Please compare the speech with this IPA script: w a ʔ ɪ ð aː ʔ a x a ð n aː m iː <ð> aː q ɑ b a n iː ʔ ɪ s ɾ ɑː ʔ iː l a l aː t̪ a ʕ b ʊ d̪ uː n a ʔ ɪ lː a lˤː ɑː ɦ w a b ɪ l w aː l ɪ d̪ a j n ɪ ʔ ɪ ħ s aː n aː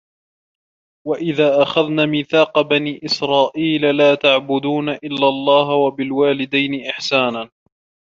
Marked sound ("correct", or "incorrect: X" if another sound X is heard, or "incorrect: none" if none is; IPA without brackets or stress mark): incorrect: θ